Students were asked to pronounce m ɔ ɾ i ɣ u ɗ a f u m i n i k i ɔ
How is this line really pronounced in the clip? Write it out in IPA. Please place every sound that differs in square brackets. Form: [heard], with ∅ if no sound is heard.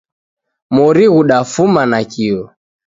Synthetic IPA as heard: m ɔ ɾ i ɣ u ɗ a f u m [a] n [a] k i ɔ